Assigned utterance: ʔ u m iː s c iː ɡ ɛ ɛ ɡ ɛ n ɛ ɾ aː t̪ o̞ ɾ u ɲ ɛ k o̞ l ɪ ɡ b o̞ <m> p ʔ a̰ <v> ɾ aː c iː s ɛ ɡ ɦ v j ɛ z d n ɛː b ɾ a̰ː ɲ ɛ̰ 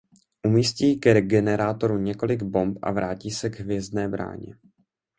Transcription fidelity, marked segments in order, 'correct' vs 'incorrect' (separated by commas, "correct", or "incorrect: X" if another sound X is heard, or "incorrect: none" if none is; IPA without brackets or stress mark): correct, correct